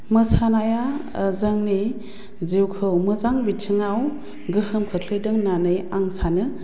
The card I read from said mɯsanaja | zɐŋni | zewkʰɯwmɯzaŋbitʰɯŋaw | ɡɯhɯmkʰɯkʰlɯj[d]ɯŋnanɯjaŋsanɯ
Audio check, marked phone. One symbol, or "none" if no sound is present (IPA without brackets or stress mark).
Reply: d